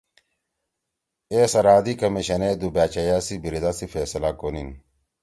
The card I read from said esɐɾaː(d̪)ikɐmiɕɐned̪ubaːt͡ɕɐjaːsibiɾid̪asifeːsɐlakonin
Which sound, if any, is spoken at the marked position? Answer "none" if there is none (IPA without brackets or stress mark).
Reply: d̪